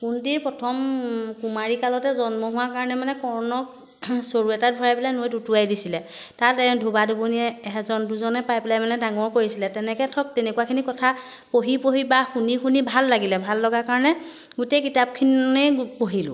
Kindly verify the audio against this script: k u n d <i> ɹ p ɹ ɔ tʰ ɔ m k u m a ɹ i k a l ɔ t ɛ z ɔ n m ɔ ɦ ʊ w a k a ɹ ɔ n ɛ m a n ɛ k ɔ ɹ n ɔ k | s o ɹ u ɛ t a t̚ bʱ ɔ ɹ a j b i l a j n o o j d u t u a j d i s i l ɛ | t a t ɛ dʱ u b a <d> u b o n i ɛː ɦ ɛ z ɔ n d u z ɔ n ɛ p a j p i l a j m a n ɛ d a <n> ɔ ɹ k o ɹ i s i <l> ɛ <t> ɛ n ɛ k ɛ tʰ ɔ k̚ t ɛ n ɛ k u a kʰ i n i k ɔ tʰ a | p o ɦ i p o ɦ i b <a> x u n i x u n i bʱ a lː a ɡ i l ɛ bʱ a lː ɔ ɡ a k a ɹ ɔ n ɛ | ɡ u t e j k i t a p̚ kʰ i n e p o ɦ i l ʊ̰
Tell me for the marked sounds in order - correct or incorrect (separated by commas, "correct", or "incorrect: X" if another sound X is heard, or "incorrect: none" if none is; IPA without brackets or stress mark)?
correct, correct, incorrect: ŋ, correct, correct, correct